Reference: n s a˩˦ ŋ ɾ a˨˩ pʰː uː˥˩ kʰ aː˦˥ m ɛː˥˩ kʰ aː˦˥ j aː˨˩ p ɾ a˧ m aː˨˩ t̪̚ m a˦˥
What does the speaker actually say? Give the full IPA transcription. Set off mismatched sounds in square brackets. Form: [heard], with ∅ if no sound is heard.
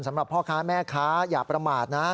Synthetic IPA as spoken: n s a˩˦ [m] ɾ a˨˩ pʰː [ɔː˥˩] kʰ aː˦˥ m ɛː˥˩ kʰ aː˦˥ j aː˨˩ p ɾ a˧ m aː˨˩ t̪̚ [n] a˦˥

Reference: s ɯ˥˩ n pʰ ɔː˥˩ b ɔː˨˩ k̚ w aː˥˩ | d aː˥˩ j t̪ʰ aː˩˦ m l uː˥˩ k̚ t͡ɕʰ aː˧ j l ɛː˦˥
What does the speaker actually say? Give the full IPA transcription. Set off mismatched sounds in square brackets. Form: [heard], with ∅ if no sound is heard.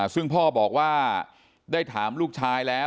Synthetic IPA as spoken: s ɯ˥˩ [ŋ] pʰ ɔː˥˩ b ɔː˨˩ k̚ w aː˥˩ | d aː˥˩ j t̪ʰ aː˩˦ m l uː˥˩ k̚ t͡ɕʰ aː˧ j l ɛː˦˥

